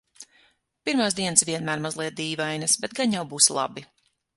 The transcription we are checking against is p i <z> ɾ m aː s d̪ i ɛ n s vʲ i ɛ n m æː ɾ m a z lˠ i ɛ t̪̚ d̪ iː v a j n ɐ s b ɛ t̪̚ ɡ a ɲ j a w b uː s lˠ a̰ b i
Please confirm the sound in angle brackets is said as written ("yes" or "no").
no